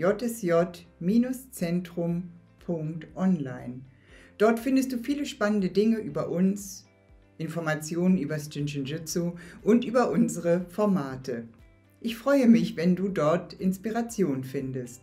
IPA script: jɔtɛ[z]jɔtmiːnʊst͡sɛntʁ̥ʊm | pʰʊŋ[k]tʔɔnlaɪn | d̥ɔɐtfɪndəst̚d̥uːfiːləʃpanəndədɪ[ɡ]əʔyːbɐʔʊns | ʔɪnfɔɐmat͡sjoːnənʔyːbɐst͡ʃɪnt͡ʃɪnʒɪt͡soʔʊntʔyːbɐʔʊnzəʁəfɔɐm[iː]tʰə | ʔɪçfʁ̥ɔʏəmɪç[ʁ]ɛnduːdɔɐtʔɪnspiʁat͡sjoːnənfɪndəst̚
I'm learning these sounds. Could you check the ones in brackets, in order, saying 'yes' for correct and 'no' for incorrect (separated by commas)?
no, yes, no, no, no